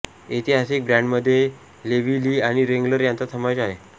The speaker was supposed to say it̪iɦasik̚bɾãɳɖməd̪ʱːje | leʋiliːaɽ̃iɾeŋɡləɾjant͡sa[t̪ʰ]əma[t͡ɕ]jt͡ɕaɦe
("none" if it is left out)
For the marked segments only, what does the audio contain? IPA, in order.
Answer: t̪ʰ, none

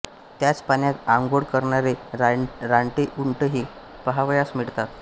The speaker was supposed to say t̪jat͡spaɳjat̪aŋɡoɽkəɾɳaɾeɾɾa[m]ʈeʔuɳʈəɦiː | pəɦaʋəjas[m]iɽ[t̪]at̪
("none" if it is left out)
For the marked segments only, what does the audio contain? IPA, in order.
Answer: ɳ, m, t̪

